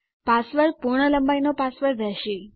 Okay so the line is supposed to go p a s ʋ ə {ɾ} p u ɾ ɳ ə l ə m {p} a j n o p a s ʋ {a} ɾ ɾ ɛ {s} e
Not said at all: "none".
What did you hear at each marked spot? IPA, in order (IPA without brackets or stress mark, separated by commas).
ɾ, b, ə, ʃ